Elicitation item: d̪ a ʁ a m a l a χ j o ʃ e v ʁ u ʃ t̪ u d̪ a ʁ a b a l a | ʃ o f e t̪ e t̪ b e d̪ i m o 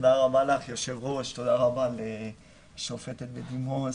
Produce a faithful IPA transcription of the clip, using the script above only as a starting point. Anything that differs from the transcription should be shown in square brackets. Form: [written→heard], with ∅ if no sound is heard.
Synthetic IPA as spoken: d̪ a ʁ a [m→b] a l a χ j o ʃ e v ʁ [u→o] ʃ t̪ [u→o] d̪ a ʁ a b a l [a→e] | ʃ o f e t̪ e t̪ b e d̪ i m o